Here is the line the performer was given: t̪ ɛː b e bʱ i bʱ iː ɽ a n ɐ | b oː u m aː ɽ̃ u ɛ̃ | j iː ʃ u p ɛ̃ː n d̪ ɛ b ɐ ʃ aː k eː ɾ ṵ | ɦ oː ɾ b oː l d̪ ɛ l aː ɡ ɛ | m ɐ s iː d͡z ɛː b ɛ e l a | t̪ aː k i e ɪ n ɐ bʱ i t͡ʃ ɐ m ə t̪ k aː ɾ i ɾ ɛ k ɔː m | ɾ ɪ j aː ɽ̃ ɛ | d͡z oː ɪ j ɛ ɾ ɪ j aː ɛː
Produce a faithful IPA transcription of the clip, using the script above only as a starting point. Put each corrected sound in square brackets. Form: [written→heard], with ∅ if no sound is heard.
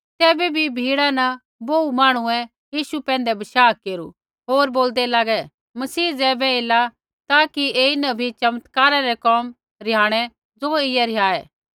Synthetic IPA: t̪ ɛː b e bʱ i bʱ iː ɽ a n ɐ | b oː u m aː ɽ̃ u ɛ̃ | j iː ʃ u p ɛ̃ː n d̪ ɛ b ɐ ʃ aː k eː ɾ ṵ | ɦ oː ɾ b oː l d̪ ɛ l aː ɡ ɛ | m ɐ s iː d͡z ɛː b ɛ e l a | t̪ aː k i e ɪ n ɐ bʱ i t͡ʃ ɐ m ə t̪ k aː ɾ [i→a] ɾ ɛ k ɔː m | ɾ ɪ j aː ɽ̃ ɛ | d͡z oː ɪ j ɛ ɾ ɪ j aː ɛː